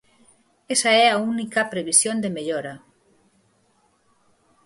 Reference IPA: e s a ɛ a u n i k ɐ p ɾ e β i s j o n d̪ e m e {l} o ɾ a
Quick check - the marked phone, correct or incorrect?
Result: incorrect